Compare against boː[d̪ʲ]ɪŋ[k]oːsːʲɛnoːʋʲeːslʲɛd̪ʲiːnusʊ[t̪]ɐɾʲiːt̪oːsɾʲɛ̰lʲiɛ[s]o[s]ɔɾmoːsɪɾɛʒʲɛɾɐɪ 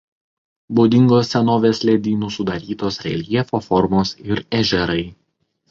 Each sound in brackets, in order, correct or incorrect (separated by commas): correct, incorrect, incorrect, incorrect, incorrect